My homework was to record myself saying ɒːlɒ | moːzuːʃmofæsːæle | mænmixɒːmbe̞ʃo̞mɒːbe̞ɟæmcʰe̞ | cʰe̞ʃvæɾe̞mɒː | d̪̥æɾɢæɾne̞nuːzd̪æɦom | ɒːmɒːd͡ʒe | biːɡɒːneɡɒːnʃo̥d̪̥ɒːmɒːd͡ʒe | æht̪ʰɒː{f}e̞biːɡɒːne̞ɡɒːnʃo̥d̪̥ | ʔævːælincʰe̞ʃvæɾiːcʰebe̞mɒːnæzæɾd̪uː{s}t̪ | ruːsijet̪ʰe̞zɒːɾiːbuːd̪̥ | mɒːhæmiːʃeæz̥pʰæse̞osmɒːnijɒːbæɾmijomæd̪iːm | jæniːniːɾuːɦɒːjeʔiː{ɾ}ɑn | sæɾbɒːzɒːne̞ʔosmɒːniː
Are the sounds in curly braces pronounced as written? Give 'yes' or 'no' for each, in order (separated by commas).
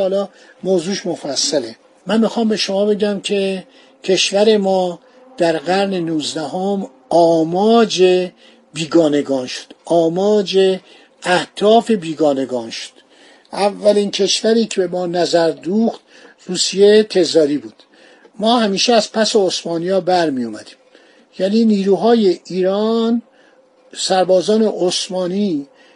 yes, no, yes